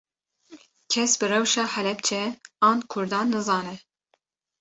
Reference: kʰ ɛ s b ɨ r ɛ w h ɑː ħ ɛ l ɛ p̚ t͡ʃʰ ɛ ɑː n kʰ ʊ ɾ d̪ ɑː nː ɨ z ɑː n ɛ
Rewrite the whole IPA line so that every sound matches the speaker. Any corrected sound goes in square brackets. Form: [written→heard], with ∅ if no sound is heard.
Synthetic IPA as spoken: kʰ ɛ s b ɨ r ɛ w [h→ʃ] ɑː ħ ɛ l ɛ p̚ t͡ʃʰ ɛ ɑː n kʰ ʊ ɾ d̪ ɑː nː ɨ z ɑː n ɛ

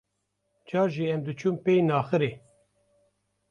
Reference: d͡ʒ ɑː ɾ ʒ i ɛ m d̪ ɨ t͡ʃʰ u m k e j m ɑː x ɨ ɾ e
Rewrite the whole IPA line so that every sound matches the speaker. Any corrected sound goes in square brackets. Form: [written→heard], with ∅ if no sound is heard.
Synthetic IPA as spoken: d͡ʒ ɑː ɾ ʒ i ɛ m d̪ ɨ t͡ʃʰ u m [k→p] e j [m→n] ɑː x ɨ ɾ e

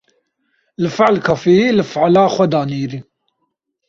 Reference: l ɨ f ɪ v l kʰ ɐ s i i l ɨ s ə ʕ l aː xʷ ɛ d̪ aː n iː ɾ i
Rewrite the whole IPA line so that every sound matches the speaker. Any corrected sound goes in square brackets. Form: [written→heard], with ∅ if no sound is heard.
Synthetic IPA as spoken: l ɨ f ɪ [v→ʕ] l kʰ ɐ [s→f] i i l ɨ [s→f] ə ʕ l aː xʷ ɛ d̪ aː n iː ɾ i

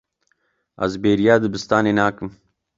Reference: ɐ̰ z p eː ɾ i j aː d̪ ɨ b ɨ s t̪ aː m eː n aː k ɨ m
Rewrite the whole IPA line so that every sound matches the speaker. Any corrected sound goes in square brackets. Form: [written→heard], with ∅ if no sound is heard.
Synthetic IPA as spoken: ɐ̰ z [p→b] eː ɾ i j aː d̪ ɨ b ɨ s t̪ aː [m→n] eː n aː k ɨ m

